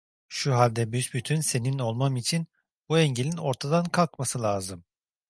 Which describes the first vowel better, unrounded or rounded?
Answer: rounded